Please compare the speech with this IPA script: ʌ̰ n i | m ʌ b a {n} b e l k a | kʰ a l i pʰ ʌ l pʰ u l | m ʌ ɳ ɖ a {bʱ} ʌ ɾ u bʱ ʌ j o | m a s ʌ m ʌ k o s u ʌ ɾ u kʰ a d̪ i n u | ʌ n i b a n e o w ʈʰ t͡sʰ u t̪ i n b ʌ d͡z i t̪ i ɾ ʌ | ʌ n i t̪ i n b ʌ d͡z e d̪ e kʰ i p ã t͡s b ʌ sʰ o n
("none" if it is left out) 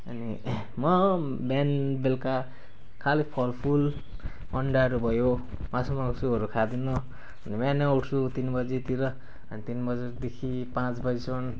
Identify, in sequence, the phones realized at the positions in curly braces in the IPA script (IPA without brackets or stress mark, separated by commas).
n, none